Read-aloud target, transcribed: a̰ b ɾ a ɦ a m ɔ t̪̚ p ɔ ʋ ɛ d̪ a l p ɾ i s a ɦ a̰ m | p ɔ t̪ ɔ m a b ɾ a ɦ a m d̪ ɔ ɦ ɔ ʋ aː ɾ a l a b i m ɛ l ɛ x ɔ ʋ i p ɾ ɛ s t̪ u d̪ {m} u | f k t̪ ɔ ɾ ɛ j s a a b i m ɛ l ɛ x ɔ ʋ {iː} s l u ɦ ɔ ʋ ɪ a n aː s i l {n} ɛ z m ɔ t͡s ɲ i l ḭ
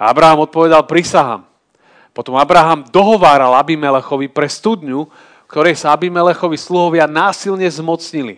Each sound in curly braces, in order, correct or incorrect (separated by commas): incorrect, incorrect, incorrect